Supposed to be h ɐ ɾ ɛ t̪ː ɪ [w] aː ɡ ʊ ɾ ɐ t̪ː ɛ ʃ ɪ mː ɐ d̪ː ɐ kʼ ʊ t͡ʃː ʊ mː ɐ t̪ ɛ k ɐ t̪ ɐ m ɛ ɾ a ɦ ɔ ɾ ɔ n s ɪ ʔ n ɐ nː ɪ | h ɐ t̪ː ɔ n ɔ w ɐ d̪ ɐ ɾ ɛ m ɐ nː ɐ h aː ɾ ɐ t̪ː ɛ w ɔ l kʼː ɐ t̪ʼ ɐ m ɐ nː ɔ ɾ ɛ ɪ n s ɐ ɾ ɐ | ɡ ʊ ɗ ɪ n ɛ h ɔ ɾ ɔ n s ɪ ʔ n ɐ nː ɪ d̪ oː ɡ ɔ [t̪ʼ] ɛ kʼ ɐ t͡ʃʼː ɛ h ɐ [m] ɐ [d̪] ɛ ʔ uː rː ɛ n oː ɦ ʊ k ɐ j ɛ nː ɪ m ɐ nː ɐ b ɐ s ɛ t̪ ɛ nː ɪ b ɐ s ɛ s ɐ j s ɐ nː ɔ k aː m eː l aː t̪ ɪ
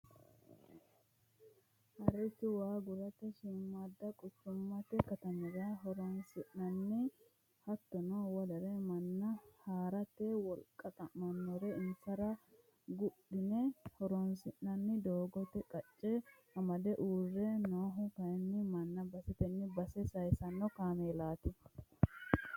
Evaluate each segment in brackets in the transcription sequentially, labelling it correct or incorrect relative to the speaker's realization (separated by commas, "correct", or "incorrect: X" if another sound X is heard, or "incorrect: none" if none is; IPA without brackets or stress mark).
correct, incorrect: t̪, correct, correct